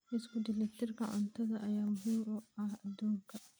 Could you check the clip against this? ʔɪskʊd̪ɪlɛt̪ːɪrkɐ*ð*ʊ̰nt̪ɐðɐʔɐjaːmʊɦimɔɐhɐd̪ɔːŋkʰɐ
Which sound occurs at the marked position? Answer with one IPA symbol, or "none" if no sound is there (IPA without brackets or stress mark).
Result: ʕ